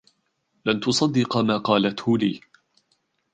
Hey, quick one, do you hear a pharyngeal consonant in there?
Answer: no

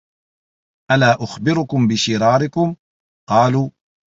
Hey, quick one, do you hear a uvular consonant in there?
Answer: yes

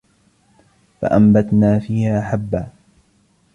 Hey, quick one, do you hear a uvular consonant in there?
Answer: no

